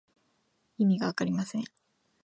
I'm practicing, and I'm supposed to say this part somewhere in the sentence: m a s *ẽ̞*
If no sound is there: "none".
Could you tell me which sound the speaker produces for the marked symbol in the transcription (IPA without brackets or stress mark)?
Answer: ẽ̞